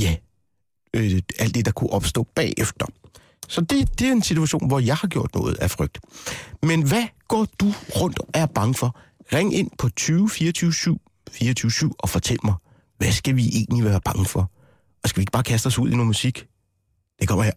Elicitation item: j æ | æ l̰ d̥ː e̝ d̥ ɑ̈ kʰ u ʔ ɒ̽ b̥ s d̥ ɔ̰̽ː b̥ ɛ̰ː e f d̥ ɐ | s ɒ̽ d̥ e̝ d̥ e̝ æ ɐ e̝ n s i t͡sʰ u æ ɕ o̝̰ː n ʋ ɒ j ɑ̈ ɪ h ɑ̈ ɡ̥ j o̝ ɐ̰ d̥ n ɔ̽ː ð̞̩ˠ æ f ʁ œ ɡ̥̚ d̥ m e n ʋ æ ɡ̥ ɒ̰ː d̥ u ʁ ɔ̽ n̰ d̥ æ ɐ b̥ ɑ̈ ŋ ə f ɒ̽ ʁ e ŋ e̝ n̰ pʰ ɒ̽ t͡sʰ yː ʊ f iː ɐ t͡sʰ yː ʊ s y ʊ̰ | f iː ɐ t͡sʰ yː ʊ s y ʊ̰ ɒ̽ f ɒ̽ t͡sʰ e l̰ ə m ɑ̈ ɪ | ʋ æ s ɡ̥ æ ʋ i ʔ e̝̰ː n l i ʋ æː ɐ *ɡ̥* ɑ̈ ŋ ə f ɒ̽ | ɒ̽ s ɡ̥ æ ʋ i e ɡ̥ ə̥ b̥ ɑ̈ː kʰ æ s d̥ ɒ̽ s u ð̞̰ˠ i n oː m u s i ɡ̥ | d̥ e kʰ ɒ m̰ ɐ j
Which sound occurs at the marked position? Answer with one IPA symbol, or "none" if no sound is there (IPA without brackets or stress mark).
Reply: b̥